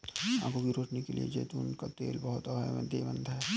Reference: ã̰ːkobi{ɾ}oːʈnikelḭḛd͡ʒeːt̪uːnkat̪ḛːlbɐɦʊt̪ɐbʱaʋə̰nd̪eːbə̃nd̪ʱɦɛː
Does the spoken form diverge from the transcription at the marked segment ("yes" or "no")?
no